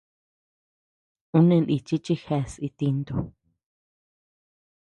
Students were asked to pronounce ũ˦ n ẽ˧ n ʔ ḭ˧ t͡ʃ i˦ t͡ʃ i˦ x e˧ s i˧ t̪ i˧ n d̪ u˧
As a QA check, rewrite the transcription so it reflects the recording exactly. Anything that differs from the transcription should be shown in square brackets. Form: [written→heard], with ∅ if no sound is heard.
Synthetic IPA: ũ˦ n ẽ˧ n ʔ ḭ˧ t͡ʃ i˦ t͡ʃ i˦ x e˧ s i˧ t̪ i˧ n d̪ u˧